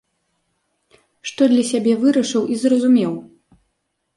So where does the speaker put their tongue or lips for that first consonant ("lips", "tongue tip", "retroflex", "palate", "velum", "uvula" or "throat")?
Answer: retroflex